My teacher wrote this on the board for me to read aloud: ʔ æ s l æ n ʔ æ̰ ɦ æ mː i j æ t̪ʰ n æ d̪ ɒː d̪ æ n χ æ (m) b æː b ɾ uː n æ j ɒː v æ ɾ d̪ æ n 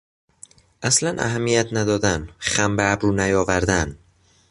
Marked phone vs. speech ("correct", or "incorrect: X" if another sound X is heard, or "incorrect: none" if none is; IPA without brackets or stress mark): correct